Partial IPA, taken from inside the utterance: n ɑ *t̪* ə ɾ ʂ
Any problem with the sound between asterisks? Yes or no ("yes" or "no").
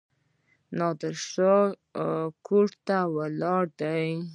yes